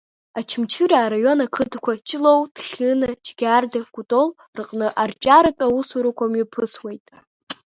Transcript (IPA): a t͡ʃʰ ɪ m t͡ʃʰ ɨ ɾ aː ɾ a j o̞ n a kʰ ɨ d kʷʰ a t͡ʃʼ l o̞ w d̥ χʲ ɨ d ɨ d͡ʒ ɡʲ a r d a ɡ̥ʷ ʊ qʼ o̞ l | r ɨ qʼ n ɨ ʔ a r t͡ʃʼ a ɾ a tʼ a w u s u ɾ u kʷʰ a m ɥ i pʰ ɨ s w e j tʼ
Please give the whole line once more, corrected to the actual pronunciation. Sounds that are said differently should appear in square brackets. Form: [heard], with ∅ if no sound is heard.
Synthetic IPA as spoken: a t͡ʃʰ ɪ m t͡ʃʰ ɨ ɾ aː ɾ a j o̞ n a kʰ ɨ d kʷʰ a t͡ʃʼ l o̞ w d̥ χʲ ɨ [n] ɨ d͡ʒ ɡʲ a r d a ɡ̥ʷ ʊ [tʼ] o̞ l | r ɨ qʼ n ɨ ʔ a r t͡ʃʼ a ɾ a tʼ a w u s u ɾ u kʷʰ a m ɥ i pʰ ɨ s w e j tʼ